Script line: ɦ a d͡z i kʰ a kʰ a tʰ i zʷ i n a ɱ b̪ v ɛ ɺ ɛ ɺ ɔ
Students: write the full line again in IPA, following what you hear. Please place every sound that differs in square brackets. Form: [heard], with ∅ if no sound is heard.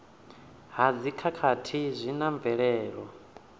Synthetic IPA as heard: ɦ a d͡z i kʰ a kʰ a tʰ i zʷ i n a ɱ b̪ v ɛ ɺ [ɛː] ɺ ɔ